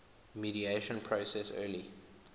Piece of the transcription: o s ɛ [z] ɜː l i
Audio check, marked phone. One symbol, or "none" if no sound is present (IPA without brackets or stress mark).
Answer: s